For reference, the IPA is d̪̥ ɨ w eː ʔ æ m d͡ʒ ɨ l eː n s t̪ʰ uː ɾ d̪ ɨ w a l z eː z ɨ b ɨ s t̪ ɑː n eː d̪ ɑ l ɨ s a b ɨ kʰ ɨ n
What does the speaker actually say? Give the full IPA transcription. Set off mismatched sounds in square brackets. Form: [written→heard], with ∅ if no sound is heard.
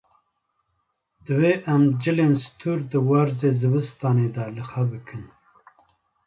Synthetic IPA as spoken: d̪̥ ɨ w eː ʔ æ m d͡ʒ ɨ l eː n s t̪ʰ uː ɾ d̪ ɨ w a [l→ɾ] z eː z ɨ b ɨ s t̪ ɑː n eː d̪ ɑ l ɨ [s→x] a b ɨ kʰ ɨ n